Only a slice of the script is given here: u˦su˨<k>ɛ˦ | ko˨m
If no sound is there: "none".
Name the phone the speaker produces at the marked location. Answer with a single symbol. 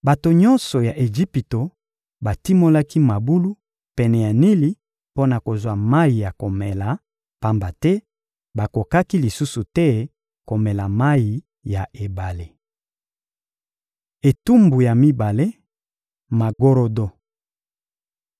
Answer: t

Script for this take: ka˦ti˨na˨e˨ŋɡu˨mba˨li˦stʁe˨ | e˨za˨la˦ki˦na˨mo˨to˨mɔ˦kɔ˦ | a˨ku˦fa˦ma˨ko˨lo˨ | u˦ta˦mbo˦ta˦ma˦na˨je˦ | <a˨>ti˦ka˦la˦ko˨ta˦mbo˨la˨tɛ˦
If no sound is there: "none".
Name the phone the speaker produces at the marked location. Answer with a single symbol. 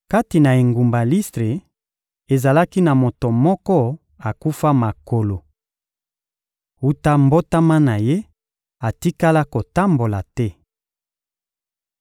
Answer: a˨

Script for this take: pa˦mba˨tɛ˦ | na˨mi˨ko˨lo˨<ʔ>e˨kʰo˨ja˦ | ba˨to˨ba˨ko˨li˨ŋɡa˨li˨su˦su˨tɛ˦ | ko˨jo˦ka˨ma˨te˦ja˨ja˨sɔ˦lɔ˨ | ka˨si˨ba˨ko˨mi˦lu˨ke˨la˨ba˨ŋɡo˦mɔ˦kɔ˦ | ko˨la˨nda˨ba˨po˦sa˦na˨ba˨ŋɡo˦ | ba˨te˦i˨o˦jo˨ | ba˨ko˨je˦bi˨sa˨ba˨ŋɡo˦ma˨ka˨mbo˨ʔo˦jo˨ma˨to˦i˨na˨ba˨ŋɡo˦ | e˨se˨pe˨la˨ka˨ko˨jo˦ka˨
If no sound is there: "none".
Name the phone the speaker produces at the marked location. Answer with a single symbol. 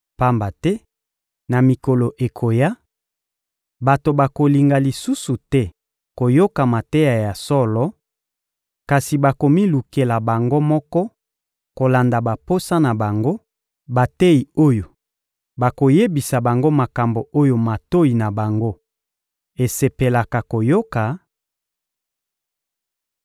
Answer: ʔ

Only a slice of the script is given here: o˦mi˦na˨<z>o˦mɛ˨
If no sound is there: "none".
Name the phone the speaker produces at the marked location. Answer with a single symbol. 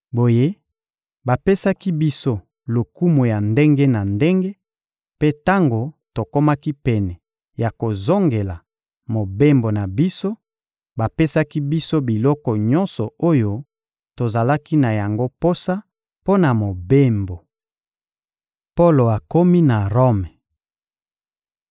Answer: ʁ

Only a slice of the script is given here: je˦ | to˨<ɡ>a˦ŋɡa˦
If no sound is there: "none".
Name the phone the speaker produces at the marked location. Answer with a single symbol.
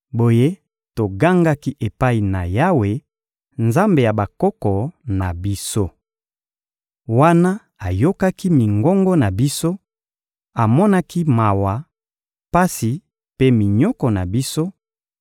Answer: ɡ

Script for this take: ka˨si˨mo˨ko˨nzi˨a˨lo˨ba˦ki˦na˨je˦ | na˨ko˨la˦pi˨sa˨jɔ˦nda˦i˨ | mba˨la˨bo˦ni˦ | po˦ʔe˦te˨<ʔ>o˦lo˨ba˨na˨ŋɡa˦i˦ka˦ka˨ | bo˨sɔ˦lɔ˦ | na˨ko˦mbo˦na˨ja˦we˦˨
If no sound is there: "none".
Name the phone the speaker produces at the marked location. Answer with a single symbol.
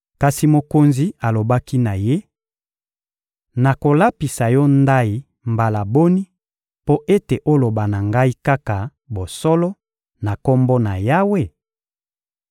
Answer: ʔ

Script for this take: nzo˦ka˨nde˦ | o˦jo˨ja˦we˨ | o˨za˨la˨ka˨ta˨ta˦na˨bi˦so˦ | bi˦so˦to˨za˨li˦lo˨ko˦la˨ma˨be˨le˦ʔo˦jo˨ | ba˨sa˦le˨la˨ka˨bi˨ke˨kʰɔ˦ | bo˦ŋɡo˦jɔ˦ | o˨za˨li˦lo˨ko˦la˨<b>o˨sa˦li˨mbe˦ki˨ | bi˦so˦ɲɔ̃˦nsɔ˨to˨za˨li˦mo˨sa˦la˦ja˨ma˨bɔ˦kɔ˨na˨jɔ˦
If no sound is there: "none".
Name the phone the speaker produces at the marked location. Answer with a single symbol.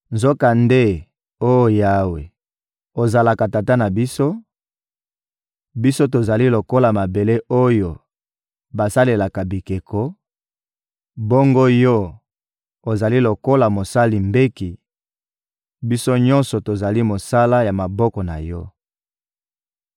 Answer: m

